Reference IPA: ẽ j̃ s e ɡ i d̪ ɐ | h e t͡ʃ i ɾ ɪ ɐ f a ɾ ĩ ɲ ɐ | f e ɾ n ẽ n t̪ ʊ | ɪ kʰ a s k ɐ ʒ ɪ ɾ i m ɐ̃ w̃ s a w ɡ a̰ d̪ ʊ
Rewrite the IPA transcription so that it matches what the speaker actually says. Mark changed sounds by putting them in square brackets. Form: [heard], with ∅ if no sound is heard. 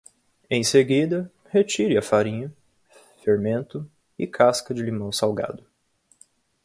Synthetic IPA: ẽ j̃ s e ɡ i d̪ ɐ | h e t͡ʃ i ɾ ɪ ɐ f a ɾ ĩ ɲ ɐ | f e ɾ [m] ẽ n t̪ ʊ | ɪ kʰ a s k ɐ [d͡ʒ] ɪ [l] i m ɐ̃ w̃ s a w ɡ a̰ d̪ ʊ